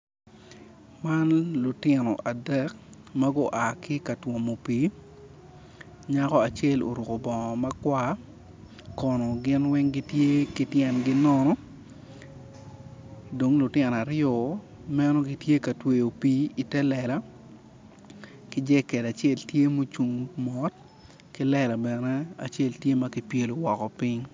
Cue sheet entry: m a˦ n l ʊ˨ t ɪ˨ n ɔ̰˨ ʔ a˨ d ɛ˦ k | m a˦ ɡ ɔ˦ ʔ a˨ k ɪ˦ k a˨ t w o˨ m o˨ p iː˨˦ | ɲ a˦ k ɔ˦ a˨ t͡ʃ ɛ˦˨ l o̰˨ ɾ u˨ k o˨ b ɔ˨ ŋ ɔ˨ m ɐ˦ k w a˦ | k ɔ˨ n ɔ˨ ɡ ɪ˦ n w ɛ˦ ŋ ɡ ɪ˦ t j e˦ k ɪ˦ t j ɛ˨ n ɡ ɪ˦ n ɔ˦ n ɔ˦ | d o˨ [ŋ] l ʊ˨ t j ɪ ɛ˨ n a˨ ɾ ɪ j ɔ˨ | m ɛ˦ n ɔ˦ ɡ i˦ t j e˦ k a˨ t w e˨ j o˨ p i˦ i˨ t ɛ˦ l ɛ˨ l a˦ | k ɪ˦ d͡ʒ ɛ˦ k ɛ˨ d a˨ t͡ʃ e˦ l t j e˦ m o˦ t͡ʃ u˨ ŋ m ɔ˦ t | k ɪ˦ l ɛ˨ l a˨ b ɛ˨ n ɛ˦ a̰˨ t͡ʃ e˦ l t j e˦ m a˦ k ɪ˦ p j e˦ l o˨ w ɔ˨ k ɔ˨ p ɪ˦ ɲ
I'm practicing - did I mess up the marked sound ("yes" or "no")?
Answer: no